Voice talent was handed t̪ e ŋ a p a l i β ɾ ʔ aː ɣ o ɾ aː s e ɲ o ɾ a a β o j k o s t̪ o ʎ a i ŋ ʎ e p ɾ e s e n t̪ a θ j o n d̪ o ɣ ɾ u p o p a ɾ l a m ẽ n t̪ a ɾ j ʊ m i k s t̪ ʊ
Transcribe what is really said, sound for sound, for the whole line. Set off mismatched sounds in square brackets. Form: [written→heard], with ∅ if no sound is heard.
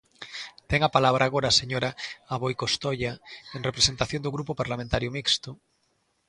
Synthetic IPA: t̪ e ŋ a p a l [i→a] β ɾ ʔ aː ɣ o ɾ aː s e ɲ o ɾ a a β o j k o s t̪ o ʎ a [i→e] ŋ [ʎ→r] e p ɾ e s e n t̪ a θ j o n d̪ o ɣ ɾ u p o p a ɾ l a m ẽ n t̪ a ɾ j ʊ m i k s t̪ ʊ